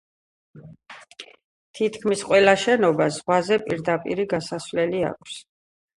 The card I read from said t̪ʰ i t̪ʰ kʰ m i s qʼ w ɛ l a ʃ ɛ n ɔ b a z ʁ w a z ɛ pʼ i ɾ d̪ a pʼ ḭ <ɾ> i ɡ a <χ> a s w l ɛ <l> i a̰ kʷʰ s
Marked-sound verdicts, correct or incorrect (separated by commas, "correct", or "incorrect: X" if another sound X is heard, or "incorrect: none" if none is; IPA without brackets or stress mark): correct, incorrect: s, correct